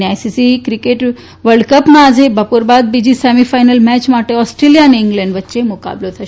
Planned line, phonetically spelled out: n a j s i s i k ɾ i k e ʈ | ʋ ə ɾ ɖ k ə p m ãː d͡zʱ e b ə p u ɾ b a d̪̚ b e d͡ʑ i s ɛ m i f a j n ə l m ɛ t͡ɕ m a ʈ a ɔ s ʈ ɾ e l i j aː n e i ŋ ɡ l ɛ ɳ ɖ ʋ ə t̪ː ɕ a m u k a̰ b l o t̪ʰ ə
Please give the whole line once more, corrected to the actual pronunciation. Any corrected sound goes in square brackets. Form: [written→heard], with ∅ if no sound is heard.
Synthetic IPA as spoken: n a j s i s i k ɾ i k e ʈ | ʋ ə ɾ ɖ k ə p m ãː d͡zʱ e b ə p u ɾ b a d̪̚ b [e→i] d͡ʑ i s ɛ m i f a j n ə l m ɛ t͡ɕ m a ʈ [a→e] ɔ s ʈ ɾ e l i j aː n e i ŋ ɡ l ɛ ɳ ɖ ʋ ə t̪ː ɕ [a→e] m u k a̰ b l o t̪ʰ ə